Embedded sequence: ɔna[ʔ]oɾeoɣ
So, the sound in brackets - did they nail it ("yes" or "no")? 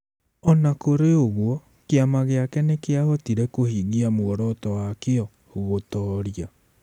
no